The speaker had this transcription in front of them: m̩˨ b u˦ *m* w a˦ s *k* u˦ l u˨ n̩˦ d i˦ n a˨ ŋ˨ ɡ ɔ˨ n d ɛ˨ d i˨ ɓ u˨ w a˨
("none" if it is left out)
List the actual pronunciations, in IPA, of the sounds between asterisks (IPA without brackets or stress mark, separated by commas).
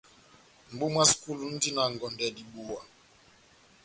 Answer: m, k